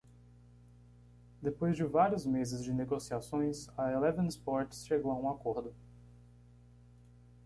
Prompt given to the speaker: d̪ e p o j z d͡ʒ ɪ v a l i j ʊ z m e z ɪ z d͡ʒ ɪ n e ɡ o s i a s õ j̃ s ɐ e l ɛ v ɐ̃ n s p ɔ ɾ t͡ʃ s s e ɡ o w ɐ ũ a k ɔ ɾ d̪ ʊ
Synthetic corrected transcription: d̪ e p o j z d͡ʒ ɪ v a ɾ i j ʊ z m e z ɪ z d͡ʒ ɪ n e ɡ o s i a s õ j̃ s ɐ e l ɛ v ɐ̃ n s p ɔ ɾ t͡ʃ s ʃ e ɡ o w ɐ ũ a k o ɾ d̪ ʊ

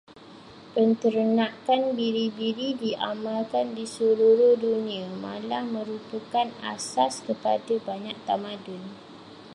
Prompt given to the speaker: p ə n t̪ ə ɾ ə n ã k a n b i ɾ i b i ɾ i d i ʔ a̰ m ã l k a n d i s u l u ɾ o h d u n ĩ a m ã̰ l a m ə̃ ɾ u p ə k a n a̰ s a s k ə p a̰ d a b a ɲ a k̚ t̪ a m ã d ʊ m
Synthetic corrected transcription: p ə n t̪ ə ɾ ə n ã k a n b i ɾ i b i ɾ i d i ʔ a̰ m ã l k a n d i s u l u ɾ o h d u n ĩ a m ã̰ l a m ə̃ ɾ u p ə k a n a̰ s a s k ə p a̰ d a b a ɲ a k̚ t̪ a m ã d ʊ n

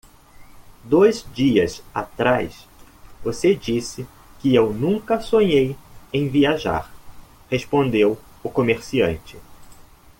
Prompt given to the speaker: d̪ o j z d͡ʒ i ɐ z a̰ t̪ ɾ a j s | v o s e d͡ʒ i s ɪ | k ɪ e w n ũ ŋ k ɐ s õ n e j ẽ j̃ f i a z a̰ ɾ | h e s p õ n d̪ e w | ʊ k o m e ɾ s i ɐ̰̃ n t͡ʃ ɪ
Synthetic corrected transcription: d̪ o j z d͡ʒ i ɐ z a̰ t̪ ɾ a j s | v o s e d͡ʒ i s ɪ | k ɪ e w n ũ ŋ k ɐ s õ ɲ e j ẽ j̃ v i a ʒ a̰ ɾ | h e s p õ n d̪ e w | ʊ k o m e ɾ s i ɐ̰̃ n t͡ʃ ɪ

